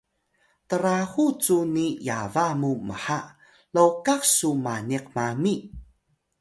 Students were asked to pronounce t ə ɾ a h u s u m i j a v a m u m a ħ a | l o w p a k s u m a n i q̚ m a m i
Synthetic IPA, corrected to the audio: t ə ɾ a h u t͡s u n i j a v a m u m ə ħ a | l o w k a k s u m a n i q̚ m a m i